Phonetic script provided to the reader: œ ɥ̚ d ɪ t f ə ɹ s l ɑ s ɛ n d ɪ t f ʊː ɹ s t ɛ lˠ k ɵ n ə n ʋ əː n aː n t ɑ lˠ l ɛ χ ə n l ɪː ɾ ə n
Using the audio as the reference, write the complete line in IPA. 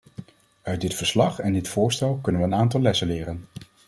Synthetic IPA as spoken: œ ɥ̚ d ɪ t f ə ɹ s l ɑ χ ɛ n d ɪ t f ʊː ɹ s t ɛ lˠ k ɵ n ə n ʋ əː n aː n t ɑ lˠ l ɛ s ə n l ɪː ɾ ə n